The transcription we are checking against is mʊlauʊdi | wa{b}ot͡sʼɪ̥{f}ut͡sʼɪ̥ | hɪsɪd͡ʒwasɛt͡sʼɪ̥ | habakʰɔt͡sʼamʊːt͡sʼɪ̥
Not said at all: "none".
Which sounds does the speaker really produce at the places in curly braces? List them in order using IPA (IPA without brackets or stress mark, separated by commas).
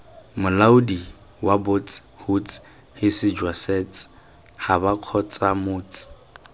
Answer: b, h